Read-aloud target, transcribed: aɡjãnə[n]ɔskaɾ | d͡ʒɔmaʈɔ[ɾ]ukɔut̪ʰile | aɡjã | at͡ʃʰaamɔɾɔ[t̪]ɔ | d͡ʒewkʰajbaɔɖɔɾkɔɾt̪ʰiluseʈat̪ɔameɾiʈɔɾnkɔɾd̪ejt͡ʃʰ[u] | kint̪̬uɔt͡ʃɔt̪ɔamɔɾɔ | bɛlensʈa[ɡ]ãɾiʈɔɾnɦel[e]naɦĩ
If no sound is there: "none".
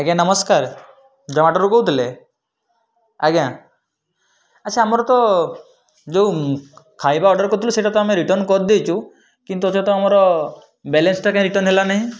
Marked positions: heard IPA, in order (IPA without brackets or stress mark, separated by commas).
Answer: m, ɾ, t̪, u, k, a